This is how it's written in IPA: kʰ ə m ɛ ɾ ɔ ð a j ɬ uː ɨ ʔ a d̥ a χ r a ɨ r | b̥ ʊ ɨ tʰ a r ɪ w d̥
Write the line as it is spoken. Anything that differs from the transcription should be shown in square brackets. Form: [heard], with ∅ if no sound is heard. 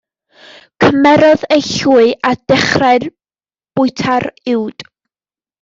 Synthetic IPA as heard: kʰ ə m ɛ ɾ ɔ ð [e] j ɬ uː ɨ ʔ a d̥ [ɛ] χ r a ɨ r | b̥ ʊ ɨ tʰ a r ɪ w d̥

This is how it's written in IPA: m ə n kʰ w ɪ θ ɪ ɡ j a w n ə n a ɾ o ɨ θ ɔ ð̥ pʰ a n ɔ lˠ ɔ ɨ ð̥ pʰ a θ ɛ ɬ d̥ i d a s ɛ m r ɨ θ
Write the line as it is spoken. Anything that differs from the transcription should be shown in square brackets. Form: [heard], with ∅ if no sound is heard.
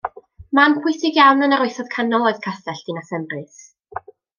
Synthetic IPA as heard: m [a] n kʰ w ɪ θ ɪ ɡ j a w n ə n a ɾ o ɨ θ ɔ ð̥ [kʰ] a n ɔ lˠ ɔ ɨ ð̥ [kʰ] a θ ɛ ɬ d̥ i [n] a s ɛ m r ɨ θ

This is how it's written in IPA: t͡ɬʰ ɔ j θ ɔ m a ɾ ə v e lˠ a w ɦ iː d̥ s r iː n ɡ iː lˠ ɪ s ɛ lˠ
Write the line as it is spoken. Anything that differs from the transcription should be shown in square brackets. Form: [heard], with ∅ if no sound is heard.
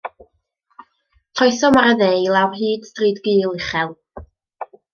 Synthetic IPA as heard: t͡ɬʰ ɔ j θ ɔ m a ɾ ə [ð] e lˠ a w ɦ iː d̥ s r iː [d] ɡ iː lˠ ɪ [χ] ɛ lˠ

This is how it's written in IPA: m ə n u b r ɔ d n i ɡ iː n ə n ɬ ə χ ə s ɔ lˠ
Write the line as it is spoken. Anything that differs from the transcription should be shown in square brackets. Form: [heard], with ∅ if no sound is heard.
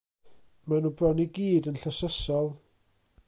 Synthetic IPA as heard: m [a] n u b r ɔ [∅] n i ɡ iː [d] ə n ɬ ə [s] ə s ɔ lˠ

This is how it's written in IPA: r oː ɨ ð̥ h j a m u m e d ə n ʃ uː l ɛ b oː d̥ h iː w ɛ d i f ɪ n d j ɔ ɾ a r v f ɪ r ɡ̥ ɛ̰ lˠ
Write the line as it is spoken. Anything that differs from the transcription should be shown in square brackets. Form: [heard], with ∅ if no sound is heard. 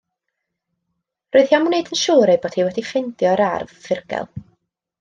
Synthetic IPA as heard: r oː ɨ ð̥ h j a m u [n] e d ə n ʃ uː [ɾ] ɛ b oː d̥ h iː w ɛ d i f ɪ n d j ɔ ɾ a r v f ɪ r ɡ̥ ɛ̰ lˠ

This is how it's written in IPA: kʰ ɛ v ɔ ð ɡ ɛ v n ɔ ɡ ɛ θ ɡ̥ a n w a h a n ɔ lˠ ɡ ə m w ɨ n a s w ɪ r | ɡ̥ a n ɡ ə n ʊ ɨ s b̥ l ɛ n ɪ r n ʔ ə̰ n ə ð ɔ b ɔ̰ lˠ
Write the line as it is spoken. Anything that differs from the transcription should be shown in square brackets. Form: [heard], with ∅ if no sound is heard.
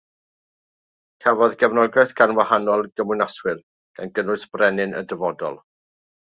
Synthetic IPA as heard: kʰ ɛ v ɔ ð ɡ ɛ v n ɔ ɡ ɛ θ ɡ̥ a n w a h a n ɔ lˠ ɡ ə m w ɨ n a s w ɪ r | ɡ̥ a n ɡ ə n ʊ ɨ s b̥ [r] ɛ n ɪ [∅] n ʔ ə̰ [d] ə [v] ɔ [d] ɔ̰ lˠ

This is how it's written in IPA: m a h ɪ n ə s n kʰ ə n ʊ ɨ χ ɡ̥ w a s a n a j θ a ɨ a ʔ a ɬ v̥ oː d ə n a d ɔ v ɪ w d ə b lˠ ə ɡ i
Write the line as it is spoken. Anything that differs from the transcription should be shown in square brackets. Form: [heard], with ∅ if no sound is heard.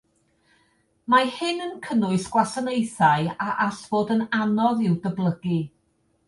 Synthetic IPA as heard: m a h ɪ n ə [∅] n kʰ ə n ʊ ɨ [s] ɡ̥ w a s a n [e] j θ a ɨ a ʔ a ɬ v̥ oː d ə n a [n] ɔ [ð] ɪ w d ə b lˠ ə ɡ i

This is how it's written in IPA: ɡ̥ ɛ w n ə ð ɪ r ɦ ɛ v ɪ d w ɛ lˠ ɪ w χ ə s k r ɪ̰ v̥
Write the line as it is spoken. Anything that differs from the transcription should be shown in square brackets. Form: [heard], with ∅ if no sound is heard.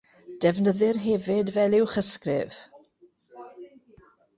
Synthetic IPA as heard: [d̥] ɛ [v] n ə ð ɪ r ɦ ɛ v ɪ d [v] ɛ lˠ ɪ w χ ə s k r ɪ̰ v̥

